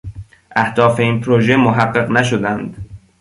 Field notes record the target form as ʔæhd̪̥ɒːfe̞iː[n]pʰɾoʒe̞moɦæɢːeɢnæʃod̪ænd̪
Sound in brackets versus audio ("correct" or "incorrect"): correct